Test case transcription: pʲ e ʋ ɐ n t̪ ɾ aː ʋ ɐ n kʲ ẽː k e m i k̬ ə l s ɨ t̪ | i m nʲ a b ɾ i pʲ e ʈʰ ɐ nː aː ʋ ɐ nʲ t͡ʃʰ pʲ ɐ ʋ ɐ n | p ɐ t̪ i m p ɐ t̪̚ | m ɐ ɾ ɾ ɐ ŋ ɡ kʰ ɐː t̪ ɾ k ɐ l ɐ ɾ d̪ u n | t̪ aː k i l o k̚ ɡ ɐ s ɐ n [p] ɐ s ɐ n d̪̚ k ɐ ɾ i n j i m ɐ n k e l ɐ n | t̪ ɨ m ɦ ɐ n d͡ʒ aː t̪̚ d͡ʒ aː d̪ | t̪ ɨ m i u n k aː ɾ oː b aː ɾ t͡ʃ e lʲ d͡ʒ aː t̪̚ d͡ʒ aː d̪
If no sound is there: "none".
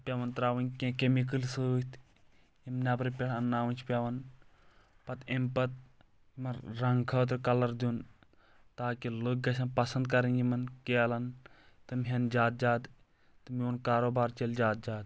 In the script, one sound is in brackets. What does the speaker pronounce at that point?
p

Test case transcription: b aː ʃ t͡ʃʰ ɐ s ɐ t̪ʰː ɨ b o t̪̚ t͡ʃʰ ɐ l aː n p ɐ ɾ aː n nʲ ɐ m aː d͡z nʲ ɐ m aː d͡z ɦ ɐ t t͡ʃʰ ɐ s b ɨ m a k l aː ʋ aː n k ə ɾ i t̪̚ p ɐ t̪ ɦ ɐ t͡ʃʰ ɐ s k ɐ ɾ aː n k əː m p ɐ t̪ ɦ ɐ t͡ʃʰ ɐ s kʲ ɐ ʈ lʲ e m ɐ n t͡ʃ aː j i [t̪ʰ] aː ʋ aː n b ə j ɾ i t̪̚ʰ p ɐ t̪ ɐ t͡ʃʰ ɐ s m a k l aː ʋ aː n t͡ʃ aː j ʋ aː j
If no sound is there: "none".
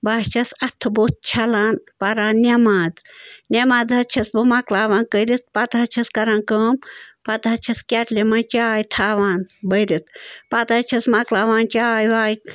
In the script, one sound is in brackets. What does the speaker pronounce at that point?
t̪ʰ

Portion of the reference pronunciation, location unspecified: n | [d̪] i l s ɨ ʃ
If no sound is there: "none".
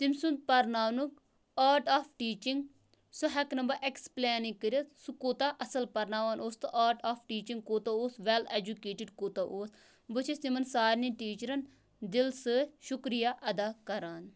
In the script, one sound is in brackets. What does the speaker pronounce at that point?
d̪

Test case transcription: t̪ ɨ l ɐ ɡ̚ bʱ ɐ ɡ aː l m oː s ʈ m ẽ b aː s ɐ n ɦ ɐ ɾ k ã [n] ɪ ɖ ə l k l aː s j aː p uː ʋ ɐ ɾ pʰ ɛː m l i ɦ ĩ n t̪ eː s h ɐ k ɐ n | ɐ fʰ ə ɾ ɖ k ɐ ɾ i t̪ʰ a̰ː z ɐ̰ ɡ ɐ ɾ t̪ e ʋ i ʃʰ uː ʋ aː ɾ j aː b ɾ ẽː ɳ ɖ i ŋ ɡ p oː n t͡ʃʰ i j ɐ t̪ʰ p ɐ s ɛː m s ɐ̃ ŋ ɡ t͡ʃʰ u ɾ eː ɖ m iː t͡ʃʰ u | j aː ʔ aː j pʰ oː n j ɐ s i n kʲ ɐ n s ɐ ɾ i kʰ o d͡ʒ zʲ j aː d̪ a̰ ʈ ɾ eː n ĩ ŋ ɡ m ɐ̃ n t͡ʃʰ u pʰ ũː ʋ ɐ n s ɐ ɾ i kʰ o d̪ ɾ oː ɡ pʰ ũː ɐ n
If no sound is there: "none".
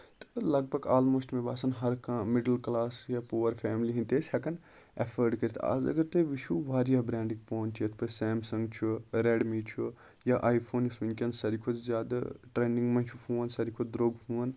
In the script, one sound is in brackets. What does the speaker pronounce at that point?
m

